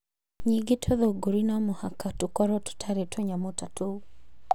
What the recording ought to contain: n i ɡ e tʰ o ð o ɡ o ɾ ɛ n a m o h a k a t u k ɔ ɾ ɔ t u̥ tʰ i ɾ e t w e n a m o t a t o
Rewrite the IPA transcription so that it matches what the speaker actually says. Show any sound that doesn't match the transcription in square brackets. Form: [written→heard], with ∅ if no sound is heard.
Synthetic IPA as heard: [n→ɲ] i ɡ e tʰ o ð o ɡ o ɾ [ɛ→i] n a m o h a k a t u k ɔ ɾ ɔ t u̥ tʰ [i→a] ɾ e t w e [n→ɲ] a m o t a t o